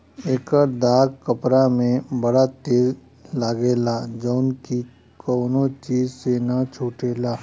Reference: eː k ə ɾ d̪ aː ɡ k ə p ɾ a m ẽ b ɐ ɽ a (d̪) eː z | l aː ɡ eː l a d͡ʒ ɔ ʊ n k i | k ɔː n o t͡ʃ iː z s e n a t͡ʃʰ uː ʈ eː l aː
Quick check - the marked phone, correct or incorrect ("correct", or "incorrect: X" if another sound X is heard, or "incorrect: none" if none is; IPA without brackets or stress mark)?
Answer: incorrect: t̪